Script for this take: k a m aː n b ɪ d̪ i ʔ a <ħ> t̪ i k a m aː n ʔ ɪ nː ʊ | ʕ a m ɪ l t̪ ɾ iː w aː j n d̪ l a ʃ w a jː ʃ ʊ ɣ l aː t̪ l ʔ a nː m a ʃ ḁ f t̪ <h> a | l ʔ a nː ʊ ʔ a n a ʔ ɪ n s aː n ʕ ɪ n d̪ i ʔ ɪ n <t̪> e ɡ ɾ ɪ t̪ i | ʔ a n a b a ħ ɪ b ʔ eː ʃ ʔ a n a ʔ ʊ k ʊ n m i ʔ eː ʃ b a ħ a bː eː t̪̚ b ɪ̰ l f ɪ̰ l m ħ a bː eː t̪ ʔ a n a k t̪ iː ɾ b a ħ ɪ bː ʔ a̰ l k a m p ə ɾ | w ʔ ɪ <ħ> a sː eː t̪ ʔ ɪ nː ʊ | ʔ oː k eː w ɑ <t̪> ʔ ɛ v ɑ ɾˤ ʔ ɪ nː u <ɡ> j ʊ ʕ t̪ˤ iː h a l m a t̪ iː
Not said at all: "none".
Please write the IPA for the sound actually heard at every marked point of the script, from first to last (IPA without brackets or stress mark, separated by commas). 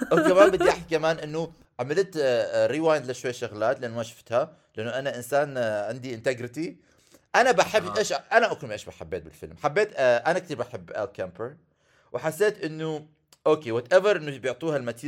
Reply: ħ, h, t̪, ħ, t̪, b